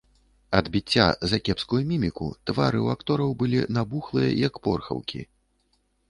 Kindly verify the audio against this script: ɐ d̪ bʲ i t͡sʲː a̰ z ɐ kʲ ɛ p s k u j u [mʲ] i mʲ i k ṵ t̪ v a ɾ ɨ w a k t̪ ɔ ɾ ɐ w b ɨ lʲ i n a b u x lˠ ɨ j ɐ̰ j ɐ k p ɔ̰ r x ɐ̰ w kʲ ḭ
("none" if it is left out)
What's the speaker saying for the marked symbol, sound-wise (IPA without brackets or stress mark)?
mʲ